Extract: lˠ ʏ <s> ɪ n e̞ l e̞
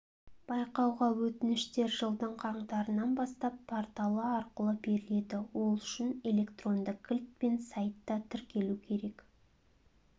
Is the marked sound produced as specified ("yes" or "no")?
no